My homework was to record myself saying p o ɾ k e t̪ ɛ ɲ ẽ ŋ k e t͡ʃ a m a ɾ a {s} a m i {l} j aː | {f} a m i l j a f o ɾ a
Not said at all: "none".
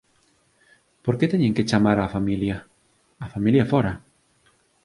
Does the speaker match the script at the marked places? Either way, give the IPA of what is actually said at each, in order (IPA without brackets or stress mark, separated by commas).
f, l, f